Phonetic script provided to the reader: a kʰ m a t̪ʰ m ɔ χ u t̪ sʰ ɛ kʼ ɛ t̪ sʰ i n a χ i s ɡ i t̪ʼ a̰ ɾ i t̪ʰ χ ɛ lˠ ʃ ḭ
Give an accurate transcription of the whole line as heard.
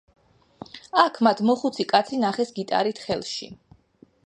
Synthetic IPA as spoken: a kʰ m a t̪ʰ m ɔ χ u t̪ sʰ i kʼ a t̪ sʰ i n a χ ɛ s ɡ i t̪ʼ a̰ ɾ i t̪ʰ χ ɛ lˠ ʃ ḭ